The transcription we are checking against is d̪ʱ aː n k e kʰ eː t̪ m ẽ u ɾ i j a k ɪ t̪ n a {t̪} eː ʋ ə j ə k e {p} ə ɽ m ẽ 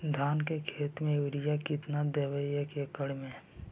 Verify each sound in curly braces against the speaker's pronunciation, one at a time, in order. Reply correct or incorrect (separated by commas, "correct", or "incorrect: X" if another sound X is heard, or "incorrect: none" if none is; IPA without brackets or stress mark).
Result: incorrect: d̪, incorrect: k